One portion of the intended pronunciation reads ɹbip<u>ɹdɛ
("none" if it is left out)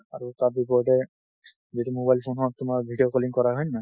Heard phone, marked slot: ɔ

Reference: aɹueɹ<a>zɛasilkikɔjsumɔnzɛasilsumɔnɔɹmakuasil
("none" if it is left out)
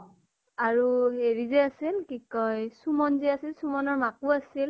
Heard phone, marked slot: i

